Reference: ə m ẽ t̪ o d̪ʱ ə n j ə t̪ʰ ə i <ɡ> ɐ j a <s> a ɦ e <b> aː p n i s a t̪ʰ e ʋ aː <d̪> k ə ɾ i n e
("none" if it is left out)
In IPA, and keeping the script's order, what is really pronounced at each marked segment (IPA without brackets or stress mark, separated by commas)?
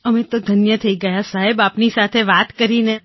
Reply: ɡ, s, b, t̪